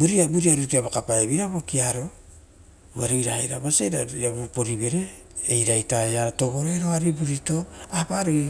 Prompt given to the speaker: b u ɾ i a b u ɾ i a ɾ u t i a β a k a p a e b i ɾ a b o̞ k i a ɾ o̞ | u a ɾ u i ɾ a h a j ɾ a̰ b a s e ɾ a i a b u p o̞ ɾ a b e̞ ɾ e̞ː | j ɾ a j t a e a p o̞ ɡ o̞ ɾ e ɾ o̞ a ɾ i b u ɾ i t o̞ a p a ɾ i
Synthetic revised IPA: b u ɾ i a b u ɾ i a ɾ u t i a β a k a p a e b i ɾ a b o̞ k i a ɾ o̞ | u a ɾ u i ɾ a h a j ɾ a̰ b a s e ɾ a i a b u p o̞ ɾ i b e̞ ɾ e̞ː | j ɾ a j t a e a t o̞ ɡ o̞ ɾ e ɾ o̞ a ɾ i b u ɾ i t o̞ a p a ɾ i